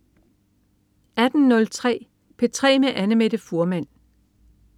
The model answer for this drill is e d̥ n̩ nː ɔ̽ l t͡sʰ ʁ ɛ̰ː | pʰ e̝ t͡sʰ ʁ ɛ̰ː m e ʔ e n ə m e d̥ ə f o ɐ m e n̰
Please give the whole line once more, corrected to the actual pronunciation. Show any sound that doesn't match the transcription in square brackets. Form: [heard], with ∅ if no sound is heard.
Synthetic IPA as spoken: [æ] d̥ n̩ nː ɔ̽ l t͡sʰ ʁ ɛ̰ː | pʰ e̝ t͡sʰ ʁ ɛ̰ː m e ʔ [æ] n ə m e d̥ ə f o ɐ m [æ] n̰